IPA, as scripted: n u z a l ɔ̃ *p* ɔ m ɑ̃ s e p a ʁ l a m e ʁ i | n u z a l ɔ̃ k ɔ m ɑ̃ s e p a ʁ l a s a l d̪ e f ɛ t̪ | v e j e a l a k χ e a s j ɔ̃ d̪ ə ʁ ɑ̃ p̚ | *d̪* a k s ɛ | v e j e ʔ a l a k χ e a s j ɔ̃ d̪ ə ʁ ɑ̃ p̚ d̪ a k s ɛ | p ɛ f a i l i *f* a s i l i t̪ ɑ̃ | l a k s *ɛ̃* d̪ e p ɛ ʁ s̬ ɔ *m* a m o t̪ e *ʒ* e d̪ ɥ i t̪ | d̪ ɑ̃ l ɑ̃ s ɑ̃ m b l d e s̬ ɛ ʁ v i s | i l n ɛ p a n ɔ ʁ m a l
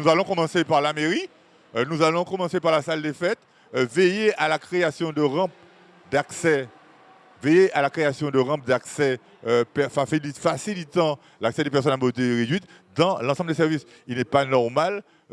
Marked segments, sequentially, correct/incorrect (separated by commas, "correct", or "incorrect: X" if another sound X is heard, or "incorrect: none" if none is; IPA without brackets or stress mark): incorrect: k, correct, correct, incorrect: ɛ, incorrect: n, incorrect: ʁ